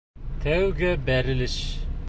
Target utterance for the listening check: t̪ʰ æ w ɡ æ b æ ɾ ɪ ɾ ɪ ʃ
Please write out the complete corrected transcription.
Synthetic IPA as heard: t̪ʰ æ w ɡ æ b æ ɾ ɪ l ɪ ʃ